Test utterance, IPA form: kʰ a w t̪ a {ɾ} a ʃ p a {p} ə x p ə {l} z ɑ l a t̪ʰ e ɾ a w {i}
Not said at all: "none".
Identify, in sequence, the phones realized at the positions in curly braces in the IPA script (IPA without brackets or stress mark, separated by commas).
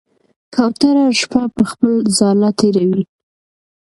ɾ, p, l, i